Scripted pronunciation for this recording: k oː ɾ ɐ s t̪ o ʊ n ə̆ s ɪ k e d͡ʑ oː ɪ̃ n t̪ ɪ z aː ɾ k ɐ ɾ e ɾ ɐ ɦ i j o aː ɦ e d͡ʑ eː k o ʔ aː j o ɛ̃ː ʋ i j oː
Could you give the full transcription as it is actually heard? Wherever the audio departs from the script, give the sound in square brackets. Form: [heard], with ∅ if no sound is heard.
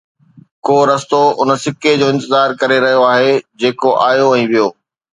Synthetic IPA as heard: k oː ɾ ɐ s t̪ o ʊ n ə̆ s ɪ k e d͡ʑ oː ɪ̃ n t̪ ɪ z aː ɾ k ɐ ɾ e ɾ ɐ ɦ i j o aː ɦ e d͡ʑ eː k o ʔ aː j o ɛ̃ː ʋ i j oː